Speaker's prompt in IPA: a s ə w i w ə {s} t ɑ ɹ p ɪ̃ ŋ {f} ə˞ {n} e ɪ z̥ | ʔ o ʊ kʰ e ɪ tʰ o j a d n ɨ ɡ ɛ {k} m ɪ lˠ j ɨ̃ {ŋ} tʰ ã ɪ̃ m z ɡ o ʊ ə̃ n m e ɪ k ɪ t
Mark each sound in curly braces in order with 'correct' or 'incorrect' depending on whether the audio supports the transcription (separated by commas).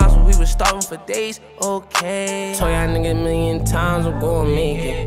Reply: correct, correct, incorrect, incorrect, incorrect